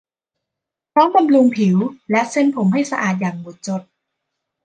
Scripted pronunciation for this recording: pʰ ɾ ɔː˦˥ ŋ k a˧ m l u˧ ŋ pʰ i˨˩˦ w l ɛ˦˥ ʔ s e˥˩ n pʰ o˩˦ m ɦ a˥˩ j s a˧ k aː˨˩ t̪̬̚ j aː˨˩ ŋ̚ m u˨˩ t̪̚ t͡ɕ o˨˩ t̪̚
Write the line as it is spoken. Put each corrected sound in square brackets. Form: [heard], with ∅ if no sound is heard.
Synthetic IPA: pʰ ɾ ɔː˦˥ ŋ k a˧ m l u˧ ŋ pʰ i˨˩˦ w l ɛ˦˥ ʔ s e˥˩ n pʰ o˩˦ m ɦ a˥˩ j s a˧ [ʔ] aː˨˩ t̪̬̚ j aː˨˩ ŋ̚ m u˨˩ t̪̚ t͡ɕ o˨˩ t̪̚